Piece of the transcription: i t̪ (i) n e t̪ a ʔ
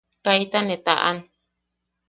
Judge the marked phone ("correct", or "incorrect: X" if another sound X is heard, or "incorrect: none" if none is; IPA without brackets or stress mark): incorrect: a